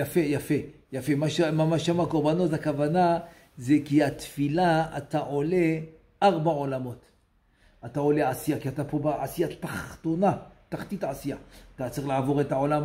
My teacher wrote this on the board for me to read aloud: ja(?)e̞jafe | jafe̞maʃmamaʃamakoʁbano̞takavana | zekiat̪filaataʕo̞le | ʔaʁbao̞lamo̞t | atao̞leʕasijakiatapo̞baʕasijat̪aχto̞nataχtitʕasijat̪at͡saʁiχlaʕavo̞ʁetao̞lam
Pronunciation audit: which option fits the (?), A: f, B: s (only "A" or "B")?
A